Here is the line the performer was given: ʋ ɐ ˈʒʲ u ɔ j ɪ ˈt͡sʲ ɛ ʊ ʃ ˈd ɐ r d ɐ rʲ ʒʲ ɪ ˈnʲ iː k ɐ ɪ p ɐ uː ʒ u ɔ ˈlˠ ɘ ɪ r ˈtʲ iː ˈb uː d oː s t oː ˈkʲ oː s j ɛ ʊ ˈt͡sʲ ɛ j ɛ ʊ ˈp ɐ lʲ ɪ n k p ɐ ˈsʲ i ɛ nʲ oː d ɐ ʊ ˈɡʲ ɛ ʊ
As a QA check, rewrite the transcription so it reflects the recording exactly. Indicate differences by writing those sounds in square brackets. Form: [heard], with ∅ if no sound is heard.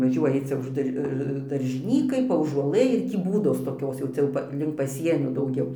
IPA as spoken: ʋ ɐ ˈʒʲ u ɔ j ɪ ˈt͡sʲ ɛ ʊ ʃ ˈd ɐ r d ɐ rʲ ʒʲ ɪ ˈnʲ iː k ɐ ɪ p ɐ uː ʒ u ɔ ˈlˠ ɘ ɪ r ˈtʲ iː ˈb uː d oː s t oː ˈkʲ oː s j ɛ ʊ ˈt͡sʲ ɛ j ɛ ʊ ˈp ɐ lʲ ɪ [ŋ] k p ɐ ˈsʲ i ɛ nʲ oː d ɐ ʊ ˈɡʲ ɛ ʊ